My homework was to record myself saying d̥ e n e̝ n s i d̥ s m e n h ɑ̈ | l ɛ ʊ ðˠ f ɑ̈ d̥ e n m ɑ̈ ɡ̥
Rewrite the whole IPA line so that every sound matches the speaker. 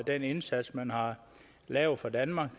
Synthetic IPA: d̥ e n e̝ n s æ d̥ s m æ n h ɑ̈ | l ɛ ʊ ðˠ f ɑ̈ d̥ æ n m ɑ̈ ɡ̥